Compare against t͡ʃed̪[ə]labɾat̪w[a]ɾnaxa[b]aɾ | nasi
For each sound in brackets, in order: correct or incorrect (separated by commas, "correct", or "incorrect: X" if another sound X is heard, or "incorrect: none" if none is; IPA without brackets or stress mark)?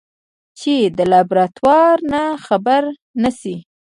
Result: correct, incorrect: ɑ, correct